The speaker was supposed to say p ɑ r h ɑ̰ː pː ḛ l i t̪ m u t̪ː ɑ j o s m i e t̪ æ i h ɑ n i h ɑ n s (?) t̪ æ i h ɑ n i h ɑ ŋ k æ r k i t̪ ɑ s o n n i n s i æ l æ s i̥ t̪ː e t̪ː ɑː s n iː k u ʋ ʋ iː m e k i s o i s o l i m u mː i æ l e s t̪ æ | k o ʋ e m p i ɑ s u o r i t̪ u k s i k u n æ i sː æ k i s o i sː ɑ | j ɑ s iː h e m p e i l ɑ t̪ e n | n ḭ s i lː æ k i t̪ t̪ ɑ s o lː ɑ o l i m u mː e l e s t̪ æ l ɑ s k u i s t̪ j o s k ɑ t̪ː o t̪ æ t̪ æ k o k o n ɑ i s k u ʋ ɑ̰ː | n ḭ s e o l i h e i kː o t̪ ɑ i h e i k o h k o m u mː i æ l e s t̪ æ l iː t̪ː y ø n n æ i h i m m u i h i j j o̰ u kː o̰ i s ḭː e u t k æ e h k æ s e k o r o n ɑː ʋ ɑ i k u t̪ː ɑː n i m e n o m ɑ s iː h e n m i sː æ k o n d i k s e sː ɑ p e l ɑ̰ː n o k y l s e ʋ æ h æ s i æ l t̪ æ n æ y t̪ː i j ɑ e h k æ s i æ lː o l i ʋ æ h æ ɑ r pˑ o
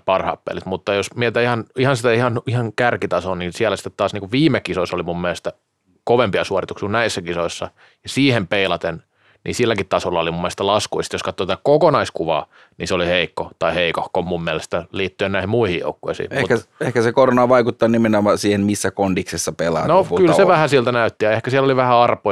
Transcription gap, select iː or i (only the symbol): i